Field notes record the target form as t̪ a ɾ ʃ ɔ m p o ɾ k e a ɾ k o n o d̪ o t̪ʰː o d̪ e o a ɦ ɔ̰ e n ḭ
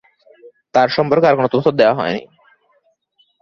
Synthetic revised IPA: t̪ a ɾ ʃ ɔ m p o ɾ k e a ɾ k o n o t̪ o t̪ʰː o d̪ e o a ɦ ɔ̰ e n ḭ